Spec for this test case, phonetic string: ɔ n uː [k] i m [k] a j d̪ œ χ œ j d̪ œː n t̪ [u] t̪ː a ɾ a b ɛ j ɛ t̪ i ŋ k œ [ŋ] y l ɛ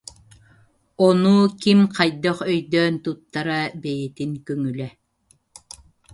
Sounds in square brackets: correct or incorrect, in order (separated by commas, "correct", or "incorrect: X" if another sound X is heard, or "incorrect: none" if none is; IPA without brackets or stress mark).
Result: correct, incorrect: q, correct, correct